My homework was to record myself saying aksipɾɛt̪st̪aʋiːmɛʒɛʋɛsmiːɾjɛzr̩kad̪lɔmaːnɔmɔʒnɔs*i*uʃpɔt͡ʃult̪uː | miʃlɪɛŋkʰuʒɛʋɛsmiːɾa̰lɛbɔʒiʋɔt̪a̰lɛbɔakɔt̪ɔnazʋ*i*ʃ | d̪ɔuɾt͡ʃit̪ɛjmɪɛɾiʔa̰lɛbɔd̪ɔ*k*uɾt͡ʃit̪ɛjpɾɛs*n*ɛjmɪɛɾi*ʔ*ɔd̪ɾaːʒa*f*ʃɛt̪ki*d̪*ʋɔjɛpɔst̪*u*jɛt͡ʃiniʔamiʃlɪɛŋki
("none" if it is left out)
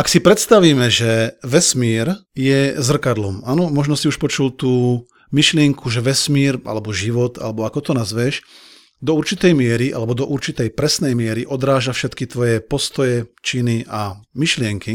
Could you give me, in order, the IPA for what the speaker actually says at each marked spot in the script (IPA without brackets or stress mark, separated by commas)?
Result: i, ɛ, ʔ, n, ʔ, f, t̪, ɔ